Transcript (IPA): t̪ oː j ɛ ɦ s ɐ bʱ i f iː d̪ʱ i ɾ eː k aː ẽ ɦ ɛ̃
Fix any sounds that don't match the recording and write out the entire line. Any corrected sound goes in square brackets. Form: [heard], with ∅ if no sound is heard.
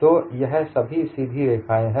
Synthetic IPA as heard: t̪ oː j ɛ ɦ s ɐ bʱ i [s] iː d̪ʱ i ɾ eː [kʰ] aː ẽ ɦ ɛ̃